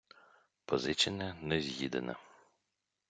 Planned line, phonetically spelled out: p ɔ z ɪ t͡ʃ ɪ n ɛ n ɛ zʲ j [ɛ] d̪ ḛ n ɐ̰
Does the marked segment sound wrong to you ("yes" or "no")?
yes